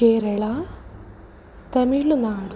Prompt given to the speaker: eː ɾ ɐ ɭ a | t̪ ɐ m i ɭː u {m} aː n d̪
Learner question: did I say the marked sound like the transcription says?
no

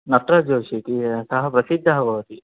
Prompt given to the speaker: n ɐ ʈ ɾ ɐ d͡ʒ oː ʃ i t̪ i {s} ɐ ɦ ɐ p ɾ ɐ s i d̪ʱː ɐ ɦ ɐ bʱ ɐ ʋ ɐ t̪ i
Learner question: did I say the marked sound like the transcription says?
yes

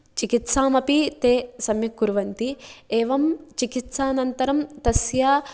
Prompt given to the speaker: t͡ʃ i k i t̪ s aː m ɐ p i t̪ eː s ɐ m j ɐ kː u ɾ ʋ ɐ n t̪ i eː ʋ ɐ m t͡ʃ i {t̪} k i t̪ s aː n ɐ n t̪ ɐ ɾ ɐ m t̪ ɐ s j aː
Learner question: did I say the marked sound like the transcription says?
no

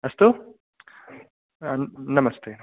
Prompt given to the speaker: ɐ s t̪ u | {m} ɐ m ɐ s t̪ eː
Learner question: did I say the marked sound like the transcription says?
no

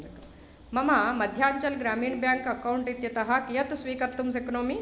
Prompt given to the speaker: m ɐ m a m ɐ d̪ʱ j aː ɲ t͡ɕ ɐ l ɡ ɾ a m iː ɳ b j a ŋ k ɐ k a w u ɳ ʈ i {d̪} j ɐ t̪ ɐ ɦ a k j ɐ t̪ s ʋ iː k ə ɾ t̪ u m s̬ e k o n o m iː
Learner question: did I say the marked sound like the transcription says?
no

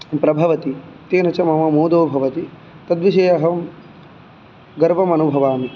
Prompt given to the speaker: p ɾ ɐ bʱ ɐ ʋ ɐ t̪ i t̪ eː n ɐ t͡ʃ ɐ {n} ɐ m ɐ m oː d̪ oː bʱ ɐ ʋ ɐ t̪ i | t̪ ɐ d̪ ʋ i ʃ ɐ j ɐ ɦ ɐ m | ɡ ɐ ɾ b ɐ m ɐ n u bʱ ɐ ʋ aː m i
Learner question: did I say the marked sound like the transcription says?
no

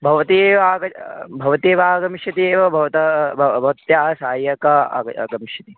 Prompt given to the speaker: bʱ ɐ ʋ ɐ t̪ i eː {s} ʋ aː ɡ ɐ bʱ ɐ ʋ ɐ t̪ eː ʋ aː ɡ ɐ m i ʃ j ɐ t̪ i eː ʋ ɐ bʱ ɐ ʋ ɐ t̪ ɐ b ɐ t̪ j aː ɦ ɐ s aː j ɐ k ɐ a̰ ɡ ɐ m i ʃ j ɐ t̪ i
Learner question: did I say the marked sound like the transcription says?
no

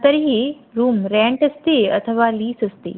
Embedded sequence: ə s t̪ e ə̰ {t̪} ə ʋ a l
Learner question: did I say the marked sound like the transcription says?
no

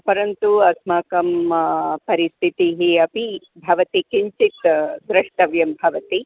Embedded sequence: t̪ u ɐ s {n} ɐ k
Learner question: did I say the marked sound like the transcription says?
no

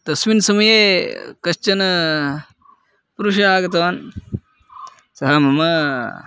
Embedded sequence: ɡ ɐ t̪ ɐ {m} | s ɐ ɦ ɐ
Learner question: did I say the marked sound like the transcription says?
no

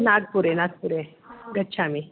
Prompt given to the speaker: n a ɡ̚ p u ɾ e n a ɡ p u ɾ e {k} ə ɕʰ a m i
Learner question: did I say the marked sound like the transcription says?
no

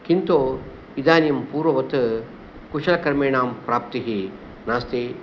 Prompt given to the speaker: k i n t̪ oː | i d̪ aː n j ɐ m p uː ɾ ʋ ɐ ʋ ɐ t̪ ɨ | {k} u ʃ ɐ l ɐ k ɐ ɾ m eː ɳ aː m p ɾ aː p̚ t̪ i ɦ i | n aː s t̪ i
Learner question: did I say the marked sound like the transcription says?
yes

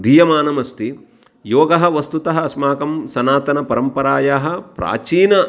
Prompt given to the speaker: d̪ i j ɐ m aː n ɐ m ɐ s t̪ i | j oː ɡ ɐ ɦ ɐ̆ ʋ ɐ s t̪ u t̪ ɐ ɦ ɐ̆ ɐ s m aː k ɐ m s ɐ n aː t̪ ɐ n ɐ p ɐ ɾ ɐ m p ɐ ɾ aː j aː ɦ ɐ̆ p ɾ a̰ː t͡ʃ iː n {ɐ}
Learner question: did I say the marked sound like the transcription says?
yes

